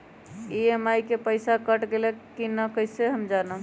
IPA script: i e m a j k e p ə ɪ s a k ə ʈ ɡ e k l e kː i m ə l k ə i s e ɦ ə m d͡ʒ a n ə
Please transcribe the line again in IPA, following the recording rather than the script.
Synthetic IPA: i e m a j k e p ə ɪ s a k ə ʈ ɡ e l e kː i n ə k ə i s e ɦ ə m d͡ʒ a n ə

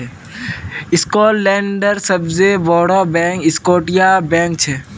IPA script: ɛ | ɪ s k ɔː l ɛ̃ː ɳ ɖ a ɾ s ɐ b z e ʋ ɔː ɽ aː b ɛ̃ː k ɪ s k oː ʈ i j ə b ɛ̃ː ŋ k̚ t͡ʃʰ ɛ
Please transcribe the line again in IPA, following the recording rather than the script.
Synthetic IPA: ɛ | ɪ s k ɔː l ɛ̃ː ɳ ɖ ə ɾ s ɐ b z e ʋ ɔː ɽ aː b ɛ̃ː k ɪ s k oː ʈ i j a b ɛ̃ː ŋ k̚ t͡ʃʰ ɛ

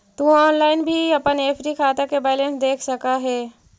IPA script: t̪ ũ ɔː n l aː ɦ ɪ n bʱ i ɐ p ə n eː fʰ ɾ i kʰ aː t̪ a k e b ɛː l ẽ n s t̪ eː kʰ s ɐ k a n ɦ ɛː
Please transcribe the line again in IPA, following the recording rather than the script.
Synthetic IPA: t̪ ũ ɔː n l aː ɪ n bʱ i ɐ p ə n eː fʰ ɾ i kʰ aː t̪ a k e b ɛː l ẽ n s d̪ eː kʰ s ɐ k a ɦ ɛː

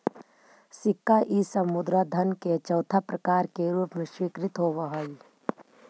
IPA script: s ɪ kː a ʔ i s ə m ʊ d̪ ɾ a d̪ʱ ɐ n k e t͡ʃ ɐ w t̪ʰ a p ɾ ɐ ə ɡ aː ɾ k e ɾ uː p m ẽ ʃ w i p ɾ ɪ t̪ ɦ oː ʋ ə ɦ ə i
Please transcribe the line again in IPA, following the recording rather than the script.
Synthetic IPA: s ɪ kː a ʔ i s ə m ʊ d̪ ɾ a d̪ʱ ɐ n k e t͡ʃ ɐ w t̪ʰ a p ɾ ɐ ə k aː ɾ k e ɾ uː p m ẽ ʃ w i k ɾ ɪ t̪ ɦ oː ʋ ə ɦ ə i

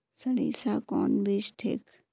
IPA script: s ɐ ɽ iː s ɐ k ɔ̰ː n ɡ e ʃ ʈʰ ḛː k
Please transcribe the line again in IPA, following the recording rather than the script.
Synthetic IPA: s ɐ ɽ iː s a k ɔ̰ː n b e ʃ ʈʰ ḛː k

